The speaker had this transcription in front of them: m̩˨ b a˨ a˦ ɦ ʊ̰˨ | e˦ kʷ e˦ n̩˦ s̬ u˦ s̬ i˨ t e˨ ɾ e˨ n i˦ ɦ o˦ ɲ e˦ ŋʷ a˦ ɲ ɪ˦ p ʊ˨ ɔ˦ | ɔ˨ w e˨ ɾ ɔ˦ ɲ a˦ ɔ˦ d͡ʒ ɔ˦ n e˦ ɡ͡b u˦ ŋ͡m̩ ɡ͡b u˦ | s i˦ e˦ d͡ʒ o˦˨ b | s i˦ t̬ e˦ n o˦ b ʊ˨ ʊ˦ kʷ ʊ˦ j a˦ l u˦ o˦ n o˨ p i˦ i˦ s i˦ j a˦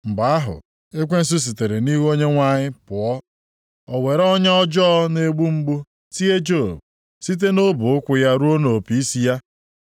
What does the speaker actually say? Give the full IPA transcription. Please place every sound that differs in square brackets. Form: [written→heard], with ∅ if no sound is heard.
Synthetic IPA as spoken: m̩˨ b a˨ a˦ ɦ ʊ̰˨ | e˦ kʷ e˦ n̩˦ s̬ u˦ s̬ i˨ t e˨ ɾ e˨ n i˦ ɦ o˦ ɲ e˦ ŋʷ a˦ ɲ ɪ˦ p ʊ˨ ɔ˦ | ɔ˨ w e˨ ɾ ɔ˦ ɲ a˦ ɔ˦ d͡ʒ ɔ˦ n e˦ ɡ͡b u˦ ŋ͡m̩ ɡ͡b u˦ | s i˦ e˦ d͡ʒ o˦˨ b | s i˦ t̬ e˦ n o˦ b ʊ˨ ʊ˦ kʷ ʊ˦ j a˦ [l→ɾ] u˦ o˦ n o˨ p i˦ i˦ s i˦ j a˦